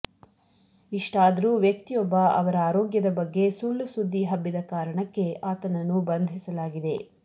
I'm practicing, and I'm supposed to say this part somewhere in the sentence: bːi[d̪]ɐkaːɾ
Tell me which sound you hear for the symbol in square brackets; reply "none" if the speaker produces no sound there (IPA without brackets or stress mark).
d̪